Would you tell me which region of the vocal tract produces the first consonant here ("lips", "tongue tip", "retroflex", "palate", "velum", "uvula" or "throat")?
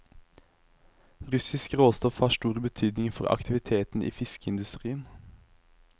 uvula